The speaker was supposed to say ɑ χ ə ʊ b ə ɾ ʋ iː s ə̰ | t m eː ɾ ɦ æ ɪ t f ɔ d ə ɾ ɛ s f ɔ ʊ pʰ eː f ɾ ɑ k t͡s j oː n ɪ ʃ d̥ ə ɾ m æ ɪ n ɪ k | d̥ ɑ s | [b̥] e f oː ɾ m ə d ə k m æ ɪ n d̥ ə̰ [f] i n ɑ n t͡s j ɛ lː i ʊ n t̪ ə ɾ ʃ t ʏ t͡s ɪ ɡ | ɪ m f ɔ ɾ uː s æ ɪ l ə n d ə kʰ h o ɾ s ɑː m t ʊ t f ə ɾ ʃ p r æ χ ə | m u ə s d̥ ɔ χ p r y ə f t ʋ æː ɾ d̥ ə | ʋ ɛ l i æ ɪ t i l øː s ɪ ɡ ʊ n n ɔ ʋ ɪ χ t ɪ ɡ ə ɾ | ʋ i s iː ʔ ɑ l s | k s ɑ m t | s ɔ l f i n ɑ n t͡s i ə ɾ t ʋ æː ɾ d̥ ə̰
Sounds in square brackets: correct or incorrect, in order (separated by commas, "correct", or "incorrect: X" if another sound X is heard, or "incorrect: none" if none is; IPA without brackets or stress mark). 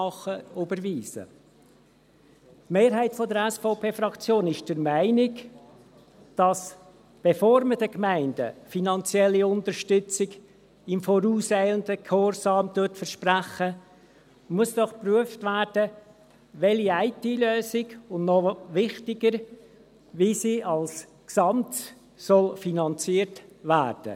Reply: correct, correct